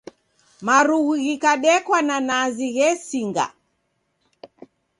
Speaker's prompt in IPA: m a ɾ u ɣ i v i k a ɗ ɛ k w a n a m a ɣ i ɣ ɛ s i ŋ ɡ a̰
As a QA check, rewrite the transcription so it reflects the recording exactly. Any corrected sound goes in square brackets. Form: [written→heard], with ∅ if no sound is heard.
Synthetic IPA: m a ɾ u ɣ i [v→ɣ] i k a ɗ ɛ k w a n a [m→n] a [ɣ→z] i ɣ ɛ s i ŋ ɡ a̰

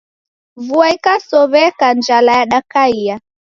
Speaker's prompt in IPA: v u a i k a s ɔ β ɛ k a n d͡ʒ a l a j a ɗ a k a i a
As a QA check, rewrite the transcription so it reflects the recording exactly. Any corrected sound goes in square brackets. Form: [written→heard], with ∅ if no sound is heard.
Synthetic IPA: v u a i k a s ɔ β ɛ k a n d͡ʒ a l a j a ɗ a k a i a

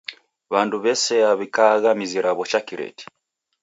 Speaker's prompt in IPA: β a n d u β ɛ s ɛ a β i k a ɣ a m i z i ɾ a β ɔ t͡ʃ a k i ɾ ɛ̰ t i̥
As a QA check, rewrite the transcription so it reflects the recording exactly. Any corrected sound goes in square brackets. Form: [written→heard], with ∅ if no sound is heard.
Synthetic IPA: β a n d u β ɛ s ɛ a β i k a ɣ a m i z i ɾ a β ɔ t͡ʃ a k i ɾ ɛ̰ t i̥

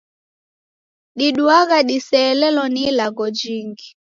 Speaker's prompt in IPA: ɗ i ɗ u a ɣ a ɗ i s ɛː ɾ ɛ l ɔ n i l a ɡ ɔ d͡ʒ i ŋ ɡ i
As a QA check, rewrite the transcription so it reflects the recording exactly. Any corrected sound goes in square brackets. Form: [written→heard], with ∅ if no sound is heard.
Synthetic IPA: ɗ i ɗ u a ɣ a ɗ i s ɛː [ɾ→l] ɛ l ɔ n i l a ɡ ɔ d͡ʒ i ŋ ɡ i

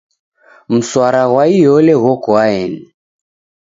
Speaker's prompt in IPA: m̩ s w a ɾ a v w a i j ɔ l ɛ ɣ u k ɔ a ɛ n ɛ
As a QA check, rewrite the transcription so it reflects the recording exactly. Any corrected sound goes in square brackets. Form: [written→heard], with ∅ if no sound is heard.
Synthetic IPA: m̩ s w a ɾ a [v→ɣ] w a i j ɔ l ɛ ɣ [u→ɔ] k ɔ a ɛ n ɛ

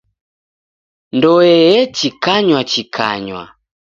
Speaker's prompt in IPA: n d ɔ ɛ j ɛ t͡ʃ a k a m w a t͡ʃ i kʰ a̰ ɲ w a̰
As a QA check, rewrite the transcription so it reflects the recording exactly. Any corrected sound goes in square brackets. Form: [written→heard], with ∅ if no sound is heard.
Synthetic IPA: n d ɔ ɛ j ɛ t͡ʃ [a→i] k a [m→ɲ] w a t͡ʃ i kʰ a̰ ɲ w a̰

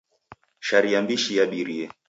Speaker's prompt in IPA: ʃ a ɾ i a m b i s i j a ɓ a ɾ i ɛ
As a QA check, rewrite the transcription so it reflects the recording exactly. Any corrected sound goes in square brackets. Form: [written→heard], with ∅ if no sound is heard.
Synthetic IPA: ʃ a ɾ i a m b i [s→ʃ] i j a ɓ [a→i] ɾ i ɛ

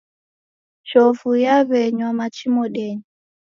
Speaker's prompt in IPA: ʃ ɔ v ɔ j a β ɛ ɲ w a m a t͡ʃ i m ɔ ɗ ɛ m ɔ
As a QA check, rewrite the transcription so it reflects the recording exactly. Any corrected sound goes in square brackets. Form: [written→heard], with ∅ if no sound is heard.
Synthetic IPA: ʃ ɔ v [ɔ→u] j a β ɛ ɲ w a m a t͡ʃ i m ɔ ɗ ɛ [m→ɲ] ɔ

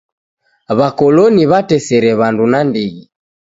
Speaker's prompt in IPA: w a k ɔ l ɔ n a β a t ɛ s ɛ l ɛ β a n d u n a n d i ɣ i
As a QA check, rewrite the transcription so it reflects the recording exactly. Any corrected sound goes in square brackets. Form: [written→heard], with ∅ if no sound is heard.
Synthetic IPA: [w→β] a k ɔ l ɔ n [a→i] β a t ɛ s ɛ [l→ɾ] ɛ β a n d u n a n d i ɣ i

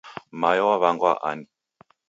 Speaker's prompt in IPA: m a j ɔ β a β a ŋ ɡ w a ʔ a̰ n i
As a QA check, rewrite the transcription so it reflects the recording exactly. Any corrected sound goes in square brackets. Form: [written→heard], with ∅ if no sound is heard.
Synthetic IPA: m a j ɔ [β→w] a β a ŋ ɡ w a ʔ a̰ n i

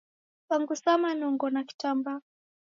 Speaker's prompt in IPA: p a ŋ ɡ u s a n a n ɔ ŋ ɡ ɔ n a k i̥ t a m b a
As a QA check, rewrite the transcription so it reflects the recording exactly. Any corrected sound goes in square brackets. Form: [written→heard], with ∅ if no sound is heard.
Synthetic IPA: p a ŋ ɡ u s a [n→m] a n ɔ ŋ ɡ ɔ n a k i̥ t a m b a

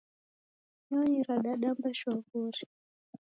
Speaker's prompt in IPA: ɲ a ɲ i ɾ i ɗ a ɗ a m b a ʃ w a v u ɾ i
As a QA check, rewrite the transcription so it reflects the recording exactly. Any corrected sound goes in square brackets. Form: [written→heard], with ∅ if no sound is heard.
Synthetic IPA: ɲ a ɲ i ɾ [i→a] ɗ a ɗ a m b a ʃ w a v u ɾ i

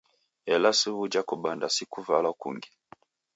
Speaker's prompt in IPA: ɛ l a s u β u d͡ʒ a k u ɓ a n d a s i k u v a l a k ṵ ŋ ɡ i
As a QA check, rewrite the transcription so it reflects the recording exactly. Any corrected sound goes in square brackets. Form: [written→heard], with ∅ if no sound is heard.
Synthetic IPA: ɛ l a s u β u d͡ʒ a k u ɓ a n d a s i k u v a l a k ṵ ŋ ɡ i

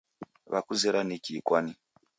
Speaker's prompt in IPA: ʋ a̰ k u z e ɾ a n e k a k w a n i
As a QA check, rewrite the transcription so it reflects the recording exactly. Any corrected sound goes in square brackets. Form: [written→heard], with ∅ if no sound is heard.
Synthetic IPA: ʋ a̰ k u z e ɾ a n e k [a→i] k w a n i

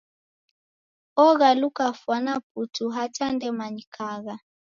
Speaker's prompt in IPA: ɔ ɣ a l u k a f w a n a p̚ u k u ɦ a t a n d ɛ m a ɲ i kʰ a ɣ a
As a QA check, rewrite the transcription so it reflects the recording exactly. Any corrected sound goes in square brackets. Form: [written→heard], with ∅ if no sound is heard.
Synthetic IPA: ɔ ɣ a l u k a f w a n a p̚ u [k→t] u ɦ a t a n d ɛ m a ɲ i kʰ a ɣ a

